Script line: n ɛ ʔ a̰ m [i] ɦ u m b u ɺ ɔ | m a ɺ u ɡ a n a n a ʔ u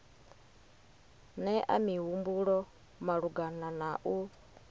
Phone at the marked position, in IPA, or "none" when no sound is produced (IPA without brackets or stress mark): i